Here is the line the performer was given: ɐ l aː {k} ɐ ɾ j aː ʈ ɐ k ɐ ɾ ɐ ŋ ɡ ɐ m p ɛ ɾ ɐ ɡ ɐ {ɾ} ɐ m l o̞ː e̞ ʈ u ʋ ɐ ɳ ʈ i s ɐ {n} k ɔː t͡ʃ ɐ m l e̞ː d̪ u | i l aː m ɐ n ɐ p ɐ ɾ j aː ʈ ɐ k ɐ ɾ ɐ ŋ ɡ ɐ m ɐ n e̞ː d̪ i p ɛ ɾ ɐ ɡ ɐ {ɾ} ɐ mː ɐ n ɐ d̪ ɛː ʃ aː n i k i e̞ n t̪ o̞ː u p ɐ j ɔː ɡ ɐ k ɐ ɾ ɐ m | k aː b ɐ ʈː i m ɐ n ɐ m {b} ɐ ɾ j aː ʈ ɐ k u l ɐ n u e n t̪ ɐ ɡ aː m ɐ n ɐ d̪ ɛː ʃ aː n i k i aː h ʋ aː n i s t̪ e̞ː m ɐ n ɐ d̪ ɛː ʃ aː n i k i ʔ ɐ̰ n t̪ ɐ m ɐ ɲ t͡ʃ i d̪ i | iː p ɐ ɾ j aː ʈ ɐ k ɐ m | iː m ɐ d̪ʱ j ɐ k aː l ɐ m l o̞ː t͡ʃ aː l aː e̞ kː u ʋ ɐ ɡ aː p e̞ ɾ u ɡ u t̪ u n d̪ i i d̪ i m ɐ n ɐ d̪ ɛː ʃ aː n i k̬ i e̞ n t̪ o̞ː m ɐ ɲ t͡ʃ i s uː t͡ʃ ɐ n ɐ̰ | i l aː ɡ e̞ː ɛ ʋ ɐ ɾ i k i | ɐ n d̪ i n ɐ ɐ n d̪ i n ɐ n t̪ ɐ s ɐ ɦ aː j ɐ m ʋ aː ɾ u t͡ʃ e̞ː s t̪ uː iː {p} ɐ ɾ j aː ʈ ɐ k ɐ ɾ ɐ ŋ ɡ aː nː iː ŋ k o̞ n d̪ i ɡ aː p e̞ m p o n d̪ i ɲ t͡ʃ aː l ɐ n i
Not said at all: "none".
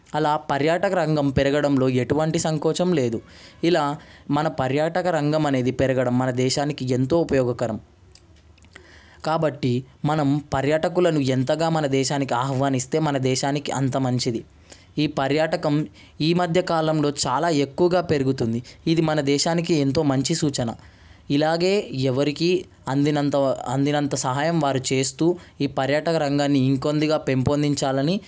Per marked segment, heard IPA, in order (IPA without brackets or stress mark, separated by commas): p, ɽ, ŋ, ɽ, p, p